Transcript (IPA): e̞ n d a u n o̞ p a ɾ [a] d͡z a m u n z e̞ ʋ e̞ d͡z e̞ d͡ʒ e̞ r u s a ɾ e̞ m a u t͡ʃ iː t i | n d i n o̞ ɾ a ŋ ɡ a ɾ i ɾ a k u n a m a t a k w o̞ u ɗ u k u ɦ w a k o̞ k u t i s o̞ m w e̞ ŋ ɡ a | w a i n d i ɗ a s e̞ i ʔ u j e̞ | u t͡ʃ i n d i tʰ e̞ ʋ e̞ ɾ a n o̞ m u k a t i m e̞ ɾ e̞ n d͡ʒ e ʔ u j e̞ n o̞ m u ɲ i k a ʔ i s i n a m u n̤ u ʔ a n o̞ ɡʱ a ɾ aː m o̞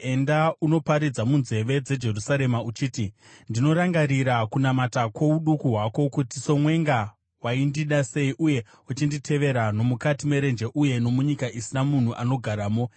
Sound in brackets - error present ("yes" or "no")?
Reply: yes